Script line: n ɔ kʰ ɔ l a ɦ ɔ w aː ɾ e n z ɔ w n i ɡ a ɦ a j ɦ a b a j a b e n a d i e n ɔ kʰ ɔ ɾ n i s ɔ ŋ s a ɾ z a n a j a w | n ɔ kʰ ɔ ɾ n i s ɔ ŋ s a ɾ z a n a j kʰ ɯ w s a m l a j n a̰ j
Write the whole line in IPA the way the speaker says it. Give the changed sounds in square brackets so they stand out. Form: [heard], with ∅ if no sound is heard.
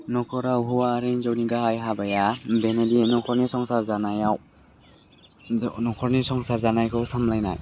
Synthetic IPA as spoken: n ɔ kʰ ɔ [ɾ] a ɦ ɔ w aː ɾ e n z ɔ w n i ɡ a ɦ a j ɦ a b a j a b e n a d i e n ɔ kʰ ɔ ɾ n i s ɔ ŋ s a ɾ z a n a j a w | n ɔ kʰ ɔ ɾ n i s ɔ ŋ s a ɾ z a n a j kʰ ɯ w s a m l a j n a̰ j